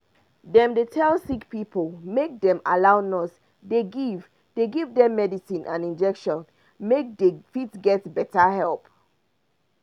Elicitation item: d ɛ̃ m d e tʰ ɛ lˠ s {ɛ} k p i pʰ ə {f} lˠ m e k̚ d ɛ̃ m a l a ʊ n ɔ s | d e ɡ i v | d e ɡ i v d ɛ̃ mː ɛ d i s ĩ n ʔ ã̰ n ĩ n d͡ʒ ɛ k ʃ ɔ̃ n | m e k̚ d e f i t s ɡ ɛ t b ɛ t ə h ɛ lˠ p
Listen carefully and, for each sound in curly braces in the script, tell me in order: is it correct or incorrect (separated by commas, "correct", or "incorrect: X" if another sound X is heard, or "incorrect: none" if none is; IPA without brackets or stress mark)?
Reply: incorrect: i, incorrect: none